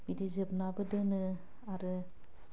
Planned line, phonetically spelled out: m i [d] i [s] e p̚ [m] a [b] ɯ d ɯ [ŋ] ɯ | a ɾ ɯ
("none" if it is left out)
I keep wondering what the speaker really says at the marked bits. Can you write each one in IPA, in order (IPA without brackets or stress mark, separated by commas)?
d, z, n, b, n